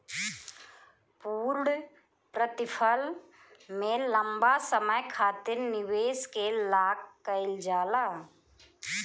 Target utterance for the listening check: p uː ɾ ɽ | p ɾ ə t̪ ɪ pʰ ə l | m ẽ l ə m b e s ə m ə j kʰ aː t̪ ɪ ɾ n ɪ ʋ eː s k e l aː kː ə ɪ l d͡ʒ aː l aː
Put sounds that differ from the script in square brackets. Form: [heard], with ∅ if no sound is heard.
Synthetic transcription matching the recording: p uː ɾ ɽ | p ɾ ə t̪ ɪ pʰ ə l | m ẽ l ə m b [a] s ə m ə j kʰ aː t̪ ɪ ɾ n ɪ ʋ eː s k e l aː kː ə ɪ l d͡ʒ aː l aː

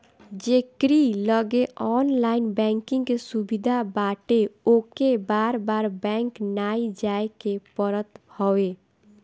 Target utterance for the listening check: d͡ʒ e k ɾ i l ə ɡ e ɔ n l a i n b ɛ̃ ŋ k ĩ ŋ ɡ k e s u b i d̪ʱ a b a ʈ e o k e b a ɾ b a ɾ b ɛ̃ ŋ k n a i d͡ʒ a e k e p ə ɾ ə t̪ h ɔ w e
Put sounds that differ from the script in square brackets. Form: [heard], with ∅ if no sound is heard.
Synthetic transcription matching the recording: d͡ʒ e k ɾ i l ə ɡ e ɔ n l a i n b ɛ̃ ŋ k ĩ ŋ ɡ k e s u b i d̪ʱ a b a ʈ e o k e b a ɾ b a ɾ b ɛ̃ ŋ k n a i d͡ʒ a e k e p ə ɾ ə t̪ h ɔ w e

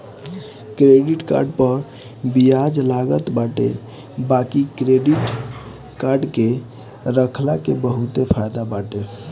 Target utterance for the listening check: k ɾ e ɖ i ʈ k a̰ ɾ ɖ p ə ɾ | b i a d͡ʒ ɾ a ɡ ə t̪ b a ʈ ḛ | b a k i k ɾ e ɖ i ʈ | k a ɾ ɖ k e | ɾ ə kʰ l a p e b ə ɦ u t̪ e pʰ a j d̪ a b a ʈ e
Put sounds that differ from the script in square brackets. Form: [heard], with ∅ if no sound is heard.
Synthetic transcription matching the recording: k ɾ e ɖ i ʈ k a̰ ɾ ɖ p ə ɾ | b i a d͡ʒ [l] a ɡ ə t̪ b a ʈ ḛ | b a k i k ɾ e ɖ i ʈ | k a ɾ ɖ k e | ɾ ə kʰ l a [k] e b ə ɦ u t̪ e pʰ a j d̪ a b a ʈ e

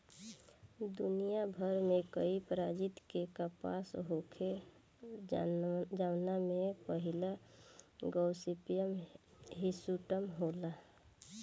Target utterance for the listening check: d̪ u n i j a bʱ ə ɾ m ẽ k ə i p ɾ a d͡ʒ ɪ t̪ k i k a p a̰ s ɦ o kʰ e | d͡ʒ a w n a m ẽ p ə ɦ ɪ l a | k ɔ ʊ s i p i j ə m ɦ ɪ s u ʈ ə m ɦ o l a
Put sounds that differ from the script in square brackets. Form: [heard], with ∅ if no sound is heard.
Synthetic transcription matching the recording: d̪ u n i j a bʱ ə ɾ m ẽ k ə i p ɾ a d͡ʒ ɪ t̪ k [e] k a p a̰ s ɦ o kʰ e | d͡ʒ a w n a m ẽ p ə ɦ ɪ l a | [ɡ] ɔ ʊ s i p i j ə m ɦ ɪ s u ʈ ə m ɦ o l a

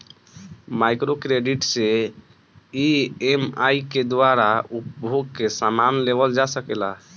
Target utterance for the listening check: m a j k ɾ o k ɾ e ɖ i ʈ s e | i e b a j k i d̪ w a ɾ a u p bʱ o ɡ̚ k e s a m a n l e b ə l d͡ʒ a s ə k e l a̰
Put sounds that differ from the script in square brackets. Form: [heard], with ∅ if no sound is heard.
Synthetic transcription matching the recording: m a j k ɾ o k ɾ e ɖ i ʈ s e | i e [m] a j k [e] d̪ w a ɾ a u p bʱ o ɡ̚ k e s a m a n l e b ə l d͡ʒ a s ə k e l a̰

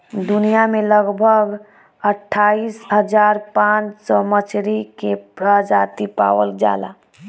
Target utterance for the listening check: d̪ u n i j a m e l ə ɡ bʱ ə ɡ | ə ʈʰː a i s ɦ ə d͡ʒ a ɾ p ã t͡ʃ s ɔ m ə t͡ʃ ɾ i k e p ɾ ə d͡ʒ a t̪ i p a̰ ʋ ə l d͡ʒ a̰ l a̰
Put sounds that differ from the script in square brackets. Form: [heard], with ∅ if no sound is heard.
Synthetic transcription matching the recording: d̪ u n i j a m e l ə ɡ bʱ ə ɡ | ə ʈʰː a i s ɦ ə d͡ʒ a ɾ p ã t͡ʃ s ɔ m ə t͡ʃ ɾ i k e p ɾ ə d͡ʒ a t̪ i p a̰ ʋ ə l d͡ʒ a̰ l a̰

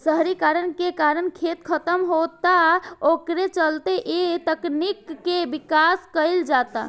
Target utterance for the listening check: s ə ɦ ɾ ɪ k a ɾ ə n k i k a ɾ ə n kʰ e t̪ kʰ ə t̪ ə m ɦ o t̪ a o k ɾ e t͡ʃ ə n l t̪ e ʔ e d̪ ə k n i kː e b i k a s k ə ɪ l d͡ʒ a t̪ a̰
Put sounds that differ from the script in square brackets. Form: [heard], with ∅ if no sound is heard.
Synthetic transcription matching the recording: s ə ɦ ɾ [i] k a ɾ ə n k [e] k a ɾ ə n kʰ e t̪ kʰ ə t̪ ə m ɦ o t̪ a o k ɾ e t͡ʃ ə [∅] l t̪ e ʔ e [t̪] ə k n i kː e b i k a s k ə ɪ l d͡ʒ a t̪ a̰

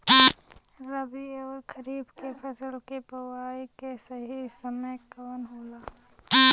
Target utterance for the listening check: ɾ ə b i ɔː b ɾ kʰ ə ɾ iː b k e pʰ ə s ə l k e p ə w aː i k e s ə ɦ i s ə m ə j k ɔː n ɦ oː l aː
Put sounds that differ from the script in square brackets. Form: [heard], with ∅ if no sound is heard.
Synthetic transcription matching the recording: ɾ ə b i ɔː [∅] ɾ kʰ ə ɾ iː b k e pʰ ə s ə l k e p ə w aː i k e s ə ɦ i s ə m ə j k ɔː n ɦ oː l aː

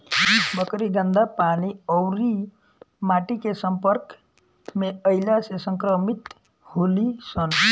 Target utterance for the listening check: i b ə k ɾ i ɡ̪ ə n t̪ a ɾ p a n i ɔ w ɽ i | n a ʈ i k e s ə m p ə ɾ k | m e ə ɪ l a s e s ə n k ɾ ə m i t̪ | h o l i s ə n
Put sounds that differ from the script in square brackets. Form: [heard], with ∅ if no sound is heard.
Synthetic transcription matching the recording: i b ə k ɾ i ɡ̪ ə n [d̪] a [∅] p a n i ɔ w [ɾ] i | [m] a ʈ i k e s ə m p ə ɾ k | m e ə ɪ l a s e s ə [ŋ] k ɾ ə m i t̪ | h o l i s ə n

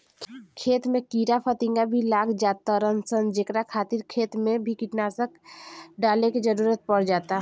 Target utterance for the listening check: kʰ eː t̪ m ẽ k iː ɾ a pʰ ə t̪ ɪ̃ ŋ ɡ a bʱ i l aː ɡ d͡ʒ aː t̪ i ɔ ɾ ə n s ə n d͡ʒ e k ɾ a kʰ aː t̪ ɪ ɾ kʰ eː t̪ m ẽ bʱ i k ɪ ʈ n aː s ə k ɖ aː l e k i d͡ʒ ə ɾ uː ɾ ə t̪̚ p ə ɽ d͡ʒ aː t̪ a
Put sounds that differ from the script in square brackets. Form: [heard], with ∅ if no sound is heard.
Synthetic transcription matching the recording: kʰ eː t̪ m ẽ k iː ɾ a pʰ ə t̪ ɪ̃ ŋ ɡ a bʱ i l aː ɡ d͡ʒ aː t̪ [a] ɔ ɾ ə n s ə n d͡ʒ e k ɾ a kʰ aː t̪ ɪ ɾ kʰ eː t̪ m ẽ bʱ i k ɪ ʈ n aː s ə k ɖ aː l e k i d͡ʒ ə ɾ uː ɾ ə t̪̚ p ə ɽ d͡ʒ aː t̪ a

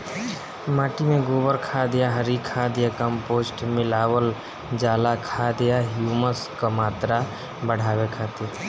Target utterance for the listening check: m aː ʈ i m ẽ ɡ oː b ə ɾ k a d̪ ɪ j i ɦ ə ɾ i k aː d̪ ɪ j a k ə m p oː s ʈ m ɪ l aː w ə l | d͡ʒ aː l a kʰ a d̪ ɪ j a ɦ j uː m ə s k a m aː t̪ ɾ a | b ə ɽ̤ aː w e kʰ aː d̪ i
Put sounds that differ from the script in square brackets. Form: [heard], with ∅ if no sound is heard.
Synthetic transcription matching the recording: m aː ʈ i m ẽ ɡ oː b ə ɾ [kʰ] a d̪ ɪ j [a] ɦ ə ɾ i [kʰ] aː d̪ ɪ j a k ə m p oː s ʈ m ɪ l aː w ə l | d͡ʒ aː l a kʰ a d̪ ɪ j a ɦ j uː m ə s k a m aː t̪ ɾ a | b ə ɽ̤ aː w e kʰ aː [t̪] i

